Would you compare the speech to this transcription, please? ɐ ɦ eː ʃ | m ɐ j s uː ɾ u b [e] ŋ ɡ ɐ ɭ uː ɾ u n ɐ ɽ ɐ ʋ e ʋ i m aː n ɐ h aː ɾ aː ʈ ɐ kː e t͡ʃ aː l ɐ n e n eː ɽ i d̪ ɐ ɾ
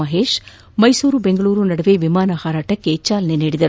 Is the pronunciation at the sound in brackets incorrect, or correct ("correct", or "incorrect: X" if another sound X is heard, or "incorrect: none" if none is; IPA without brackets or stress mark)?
correct